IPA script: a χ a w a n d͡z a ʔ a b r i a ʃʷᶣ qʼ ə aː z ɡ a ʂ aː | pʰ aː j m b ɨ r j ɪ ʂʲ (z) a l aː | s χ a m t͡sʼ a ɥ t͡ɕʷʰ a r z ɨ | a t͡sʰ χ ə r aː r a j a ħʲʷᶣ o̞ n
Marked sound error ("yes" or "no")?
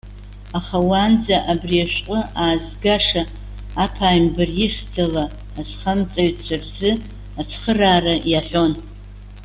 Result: yes